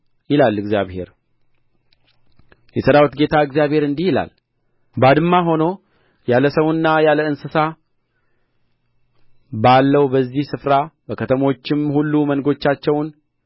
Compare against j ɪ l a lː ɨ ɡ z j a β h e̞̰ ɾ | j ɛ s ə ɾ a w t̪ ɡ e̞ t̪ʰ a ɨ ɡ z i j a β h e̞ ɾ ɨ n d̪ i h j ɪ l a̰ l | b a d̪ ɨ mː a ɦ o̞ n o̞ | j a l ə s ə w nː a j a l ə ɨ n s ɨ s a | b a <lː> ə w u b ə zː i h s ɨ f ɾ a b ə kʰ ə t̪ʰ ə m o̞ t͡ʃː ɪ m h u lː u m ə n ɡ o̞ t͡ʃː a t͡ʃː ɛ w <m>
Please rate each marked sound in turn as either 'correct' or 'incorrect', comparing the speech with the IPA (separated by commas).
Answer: correct, incorrect